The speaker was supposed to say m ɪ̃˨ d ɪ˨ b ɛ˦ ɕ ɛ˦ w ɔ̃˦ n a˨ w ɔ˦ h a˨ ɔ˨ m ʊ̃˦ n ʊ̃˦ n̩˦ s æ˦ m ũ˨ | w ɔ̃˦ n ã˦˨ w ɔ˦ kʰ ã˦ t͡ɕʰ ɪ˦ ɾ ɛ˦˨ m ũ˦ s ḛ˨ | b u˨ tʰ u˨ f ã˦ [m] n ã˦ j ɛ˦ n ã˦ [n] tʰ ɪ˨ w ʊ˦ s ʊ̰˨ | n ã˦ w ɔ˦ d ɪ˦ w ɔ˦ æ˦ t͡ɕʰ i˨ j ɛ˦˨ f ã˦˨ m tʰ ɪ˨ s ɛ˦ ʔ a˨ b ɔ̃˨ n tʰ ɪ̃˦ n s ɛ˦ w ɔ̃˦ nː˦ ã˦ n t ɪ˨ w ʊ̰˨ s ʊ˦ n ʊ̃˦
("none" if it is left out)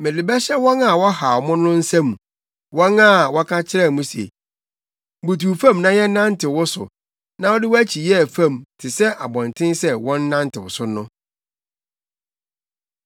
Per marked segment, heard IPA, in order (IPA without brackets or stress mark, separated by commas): m, n